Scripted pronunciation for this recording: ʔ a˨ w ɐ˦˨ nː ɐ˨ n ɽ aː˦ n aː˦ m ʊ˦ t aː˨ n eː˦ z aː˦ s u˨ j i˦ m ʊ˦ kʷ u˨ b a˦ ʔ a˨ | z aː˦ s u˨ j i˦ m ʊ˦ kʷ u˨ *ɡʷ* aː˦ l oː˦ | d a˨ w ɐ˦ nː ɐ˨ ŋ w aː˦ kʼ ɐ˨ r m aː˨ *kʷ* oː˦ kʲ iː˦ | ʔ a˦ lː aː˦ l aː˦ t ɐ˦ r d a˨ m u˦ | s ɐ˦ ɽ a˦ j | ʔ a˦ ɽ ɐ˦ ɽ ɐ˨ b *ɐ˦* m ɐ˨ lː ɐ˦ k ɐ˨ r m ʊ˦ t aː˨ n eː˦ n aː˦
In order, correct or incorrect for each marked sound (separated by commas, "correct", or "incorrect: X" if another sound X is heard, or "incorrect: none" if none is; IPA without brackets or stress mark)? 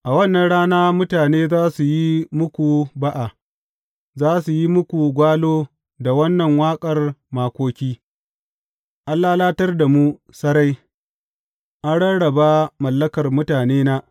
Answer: correct, correct, incorrect: a˦